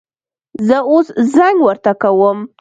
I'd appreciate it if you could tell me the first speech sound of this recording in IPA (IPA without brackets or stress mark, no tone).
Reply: z